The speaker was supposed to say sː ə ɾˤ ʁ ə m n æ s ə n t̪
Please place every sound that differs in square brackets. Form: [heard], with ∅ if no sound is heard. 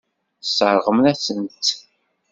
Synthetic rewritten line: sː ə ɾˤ ʁ ə m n æ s ə n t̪